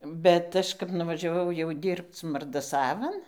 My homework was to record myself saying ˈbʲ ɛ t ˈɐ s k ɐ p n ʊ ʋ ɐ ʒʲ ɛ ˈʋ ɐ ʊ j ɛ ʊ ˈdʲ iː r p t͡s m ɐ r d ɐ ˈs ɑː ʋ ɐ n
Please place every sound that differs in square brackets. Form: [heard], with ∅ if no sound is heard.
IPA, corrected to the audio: ˈbʲ ɛ t ˈɐ [ʃ] k ɐ p n ʊ ʋ ɐ ʒʲ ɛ ˈʋ ɐ ʊ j ɛ ʊ ˈdʲ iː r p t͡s m ɐ r d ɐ ˈs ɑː ʋ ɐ n